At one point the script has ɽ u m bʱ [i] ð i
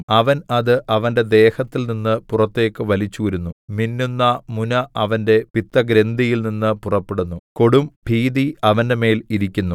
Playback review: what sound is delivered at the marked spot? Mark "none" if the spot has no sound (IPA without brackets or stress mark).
iː